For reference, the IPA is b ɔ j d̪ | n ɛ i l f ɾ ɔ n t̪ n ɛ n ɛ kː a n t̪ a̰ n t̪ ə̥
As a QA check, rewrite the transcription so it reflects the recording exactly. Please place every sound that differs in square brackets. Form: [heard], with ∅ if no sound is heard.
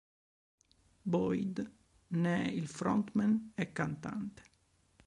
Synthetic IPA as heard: b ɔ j d̪ | n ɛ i l f ɾ ɔ n t̪ [m] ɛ n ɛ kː a n t̪ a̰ n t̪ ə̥